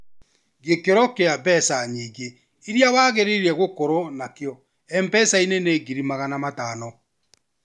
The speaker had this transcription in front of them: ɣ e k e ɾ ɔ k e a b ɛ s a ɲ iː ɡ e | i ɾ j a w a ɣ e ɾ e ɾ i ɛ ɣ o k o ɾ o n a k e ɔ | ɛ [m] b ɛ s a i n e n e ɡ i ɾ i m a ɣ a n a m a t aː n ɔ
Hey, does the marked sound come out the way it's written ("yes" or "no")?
yes